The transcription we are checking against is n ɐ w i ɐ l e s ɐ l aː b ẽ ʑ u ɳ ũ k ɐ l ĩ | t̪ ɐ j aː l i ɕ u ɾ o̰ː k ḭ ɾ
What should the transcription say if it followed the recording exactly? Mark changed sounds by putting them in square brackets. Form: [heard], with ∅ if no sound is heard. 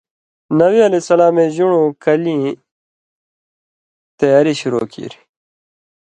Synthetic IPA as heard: n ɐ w i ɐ l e s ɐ l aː [m] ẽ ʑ u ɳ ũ k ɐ l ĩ | t̪ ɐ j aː [ɾ] i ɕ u ɾ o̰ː k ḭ ɾ